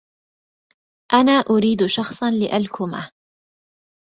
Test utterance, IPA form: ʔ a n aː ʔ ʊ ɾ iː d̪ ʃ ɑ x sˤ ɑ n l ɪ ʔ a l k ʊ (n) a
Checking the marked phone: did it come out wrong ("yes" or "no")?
yes